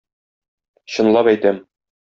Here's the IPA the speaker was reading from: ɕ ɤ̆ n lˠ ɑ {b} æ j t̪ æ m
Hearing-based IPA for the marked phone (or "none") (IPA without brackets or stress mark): p